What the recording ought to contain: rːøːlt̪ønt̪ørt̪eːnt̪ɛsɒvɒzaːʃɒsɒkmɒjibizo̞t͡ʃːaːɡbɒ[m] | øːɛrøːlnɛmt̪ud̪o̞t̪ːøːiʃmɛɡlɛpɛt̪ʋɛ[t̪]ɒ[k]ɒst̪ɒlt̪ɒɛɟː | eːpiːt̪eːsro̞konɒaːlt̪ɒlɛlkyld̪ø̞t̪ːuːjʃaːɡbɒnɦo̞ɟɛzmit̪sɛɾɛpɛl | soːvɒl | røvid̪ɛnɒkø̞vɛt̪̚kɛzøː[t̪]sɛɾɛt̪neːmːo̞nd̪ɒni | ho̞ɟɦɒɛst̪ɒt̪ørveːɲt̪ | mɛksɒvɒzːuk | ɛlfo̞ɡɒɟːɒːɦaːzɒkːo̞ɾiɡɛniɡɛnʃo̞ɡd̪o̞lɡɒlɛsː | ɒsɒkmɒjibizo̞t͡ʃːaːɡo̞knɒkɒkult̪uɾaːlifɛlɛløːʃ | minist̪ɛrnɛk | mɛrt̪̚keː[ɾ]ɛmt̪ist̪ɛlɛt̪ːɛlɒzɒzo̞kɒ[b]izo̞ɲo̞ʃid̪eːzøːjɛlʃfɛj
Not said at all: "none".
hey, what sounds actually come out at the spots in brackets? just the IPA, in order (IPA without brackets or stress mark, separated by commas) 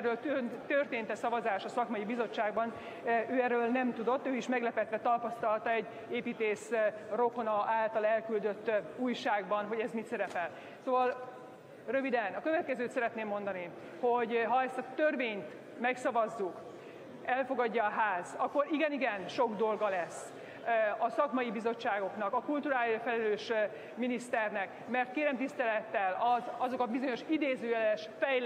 n, t̪, p, t̪, ɾ, b